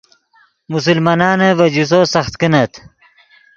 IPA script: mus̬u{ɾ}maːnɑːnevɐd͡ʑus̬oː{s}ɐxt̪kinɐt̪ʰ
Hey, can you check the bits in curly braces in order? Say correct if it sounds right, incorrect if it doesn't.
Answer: incorrect: l, correct

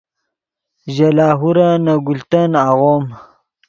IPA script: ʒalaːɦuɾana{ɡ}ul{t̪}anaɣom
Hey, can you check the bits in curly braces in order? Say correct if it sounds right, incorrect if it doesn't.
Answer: correct, correct

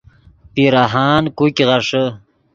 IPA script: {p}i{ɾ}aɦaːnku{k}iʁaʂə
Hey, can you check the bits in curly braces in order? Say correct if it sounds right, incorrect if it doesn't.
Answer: correct, correct, correct

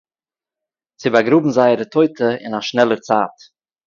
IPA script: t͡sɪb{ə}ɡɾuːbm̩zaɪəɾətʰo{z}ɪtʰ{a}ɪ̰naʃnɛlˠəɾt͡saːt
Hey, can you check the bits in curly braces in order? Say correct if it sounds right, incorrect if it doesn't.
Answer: incorrect: a, incorrect: none, incorrect: ə

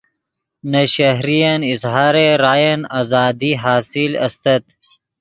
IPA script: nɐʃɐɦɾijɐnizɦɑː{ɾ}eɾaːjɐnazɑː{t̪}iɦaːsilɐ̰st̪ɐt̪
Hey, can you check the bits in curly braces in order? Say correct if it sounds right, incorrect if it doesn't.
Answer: correct, incorrect: d̪

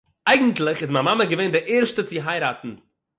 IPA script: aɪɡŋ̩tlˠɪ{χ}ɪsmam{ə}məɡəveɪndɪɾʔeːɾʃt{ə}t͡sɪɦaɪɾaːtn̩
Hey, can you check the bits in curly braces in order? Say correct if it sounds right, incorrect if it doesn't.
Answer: correct, incorrect: a, correct

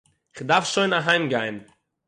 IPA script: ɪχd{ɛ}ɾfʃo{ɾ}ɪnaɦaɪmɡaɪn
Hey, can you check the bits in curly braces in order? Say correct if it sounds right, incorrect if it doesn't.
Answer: incorrect: a, incorrect: none

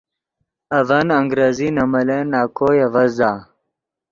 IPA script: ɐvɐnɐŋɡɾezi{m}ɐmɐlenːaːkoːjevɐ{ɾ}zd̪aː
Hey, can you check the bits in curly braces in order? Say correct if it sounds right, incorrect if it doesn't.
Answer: incorrect: n, incorrect: none

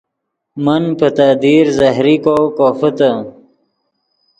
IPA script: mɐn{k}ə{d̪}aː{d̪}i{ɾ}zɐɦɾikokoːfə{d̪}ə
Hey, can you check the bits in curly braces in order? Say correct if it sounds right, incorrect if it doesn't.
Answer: incorrect: p, incorrect: t̪, correct, correct, incorrect: t̪

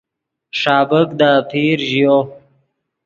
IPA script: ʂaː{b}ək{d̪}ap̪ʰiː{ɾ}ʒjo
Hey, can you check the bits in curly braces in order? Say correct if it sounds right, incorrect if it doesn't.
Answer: correct, correct, correct

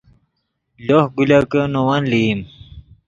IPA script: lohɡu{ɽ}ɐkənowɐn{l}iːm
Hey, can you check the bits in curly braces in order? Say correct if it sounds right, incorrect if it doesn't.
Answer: incorrect: l, correct

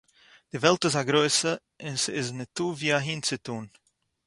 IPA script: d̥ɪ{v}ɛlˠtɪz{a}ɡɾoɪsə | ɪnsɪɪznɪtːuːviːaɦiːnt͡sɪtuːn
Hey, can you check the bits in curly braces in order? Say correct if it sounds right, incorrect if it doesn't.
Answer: correct, correct

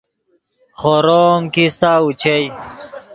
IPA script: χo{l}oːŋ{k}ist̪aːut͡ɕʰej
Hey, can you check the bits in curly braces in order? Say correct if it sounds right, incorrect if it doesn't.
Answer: incorrect: ɾ, correct

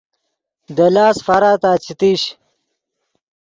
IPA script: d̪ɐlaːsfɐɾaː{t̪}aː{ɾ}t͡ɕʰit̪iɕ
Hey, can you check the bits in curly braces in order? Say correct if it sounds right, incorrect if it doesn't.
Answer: correct, incorrect: none

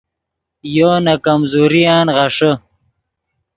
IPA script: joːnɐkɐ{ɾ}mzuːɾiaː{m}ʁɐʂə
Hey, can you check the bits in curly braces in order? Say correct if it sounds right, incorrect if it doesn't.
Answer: incorrect: none, incorrect: n

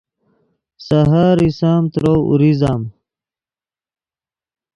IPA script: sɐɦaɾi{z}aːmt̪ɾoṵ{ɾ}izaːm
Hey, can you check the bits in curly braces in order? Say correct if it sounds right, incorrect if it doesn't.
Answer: incorrect: s, correct

